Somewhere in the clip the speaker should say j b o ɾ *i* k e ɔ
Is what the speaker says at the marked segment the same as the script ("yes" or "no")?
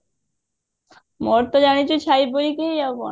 yes